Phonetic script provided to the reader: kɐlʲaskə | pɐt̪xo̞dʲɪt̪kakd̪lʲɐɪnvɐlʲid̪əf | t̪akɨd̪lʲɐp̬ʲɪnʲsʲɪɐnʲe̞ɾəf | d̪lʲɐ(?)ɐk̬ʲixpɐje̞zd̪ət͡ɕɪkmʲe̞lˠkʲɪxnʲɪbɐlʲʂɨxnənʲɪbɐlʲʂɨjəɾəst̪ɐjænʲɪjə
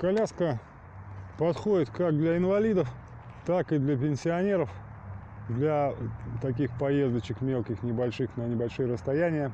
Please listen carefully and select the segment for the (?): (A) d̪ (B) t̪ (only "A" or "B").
B